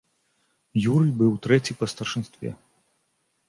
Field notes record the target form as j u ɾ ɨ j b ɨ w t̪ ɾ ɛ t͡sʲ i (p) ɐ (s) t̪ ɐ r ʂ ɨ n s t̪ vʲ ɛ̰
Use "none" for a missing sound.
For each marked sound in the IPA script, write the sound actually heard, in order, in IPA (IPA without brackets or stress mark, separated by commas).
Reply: p, s